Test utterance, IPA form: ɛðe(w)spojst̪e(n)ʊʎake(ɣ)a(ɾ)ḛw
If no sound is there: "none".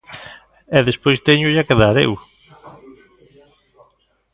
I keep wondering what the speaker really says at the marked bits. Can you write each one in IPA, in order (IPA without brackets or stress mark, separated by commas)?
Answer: none, ɲ, ð, ɾ